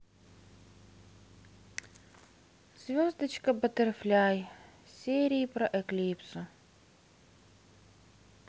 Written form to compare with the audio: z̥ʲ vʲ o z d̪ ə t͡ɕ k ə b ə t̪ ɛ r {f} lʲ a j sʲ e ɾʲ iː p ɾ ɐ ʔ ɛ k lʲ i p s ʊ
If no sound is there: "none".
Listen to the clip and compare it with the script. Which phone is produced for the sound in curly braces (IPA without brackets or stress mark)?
f